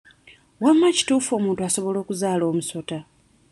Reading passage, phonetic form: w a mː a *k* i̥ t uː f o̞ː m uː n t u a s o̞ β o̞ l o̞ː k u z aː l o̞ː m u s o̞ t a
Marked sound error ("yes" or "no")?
yes